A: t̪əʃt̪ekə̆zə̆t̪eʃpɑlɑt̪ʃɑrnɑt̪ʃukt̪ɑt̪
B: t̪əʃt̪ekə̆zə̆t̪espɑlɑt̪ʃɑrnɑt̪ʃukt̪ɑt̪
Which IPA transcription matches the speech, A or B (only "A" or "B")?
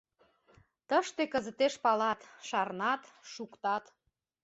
A